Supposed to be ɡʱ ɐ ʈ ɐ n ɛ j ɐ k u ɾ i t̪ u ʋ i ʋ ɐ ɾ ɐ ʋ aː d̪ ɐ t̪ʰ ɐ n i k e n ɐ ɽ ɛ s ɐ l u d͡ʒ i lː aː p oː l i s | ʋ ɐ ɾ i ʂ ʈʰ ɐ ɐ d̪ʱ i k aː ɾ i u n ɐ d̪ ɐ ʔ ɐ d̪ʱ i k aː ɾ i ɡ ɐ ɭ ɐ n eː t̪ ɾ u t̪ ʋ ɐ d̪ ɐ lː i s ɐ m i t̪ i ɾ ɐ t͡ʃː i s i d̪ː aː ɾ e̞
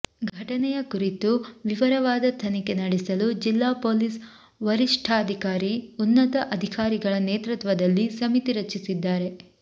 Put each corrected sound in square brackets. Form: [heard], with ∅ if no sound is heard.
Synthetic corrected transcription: ɡʱ ɐ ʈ ɐ n ɛ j ɐ k u ɾ i t̪ u ʋ i ʋ ɐ ɾ ɐ ʋ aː d̪ ɐ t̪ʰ ɐ n i k e n ɐ ɽ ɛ s ɐ l u d͡ʒ i lː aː p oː l i s | ʋ ɐ ɾ i ʂ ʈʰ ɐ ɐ d̪ʱ i k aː ɾ i u [nː] ɐ [t̪] ɐ ʔ ɐ d̪ʱ i k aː ɾ i ɡ ɐ ɭ ɐ n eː t̪ ɾ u t̪ ʋ ɐ d̪ ɐ lː i s ɐ m i t̪ i ɾ ɐ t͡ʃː i s i d̪ː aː ɾ e̞